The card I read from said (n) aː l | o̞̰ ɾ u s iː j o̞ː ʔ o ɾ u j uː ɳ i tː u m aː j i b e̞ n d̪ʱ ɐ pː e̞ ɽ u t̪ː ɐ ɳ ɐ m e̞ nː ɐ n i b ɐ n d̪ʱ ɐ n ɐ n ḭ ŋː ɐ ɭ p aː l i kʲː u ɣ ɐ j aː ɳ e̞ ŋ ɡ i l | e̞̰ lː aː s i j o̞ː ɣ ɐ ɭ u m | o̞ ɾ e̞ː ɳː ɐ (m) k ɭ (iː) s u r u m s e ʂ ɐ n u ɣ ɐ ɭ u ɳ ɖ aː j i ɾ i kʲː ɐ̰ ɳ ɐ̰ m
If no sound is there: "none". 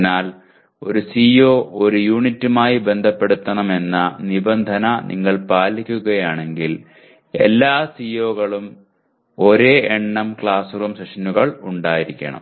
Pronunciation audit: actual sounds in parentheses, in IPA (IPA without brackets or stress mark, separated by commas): n, m, aː